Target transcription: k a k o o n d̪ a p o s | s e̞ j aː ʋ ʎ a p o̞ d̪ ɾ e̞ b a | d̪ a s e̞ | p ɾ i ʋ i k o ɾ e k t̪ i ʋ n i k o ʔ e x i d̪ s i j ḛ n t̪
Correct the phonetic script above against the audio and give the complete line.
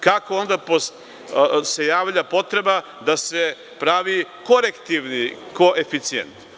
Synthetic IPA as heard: k a k o o n d̪ a p o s | s e̞ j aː ʋ ʎ a p o̞ t̪ ɾ e̞ b a | d̪ a s e̞ | p ɾ a ʋ i k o ɾ e k t̪ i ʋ n i k o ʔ e f i t̪ s i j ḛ n t̪